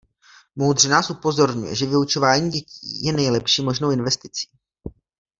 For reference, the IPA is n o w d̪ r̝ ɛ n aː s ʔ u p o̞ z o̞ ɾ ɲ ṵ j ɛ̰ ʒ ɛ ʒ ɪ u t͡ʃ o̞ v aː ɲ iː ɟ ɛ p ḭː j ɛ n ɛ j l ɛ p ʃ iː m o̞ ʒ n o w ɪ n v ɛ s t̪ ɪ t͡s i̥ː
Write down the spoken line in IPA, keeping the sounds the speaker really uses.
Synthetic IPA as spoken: m o w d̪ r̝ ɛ n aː s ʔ u p o̞ z o̞ ɾ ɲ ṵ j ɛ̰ ʒ ɛ v ɪ u t͡ʃ o̞ v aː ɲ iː ɟ ɛ c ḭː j ɛ n ɛ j l ɛ p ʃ iː m o̞ ʒ n o w ɪ n v ɛ s t̪ ɪ t͡s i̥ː